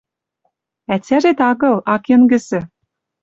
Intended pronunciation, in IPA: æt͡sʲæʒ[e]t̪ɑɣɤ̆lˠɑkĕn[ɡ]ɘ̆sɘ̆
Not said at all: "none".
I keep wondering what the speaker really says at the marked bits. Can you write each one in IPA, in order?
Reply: e, ɡ

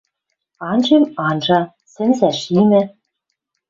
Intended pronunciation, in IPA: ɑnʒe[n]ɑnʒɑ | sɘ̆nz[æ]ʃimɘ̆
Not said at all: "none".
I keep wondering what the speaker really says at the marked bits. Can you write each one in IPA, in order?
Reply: m, æ

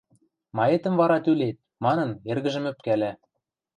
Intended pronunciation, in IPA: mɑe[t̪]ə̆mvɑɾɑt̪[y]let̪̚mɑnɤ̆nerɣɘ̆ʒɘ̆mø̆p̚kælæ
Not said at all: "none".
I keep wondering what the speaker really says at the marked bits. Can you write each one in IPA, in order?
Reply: t̪, y

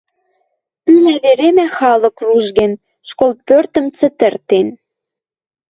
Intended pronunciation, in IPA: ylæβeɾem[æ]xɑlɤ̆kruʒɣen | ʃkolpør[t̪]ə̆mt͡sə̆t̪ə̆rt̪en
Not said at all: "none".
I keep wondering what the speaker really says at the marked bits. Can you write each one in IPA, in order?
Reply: æ, t̪

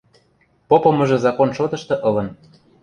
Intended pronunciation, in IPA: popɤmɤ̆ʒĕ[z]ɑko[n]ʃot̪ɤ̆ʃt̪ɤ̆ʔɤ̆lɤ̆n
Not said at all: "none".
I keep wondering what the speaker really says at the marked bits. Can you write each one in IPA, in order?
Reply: z, n

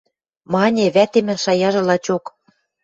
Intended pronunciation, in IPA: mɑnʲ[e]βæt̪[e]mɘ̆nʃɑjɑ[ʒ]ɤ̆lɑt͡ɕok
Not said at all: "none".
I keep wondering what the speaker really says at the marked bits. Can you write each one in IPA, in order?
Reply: e, e, ʒ

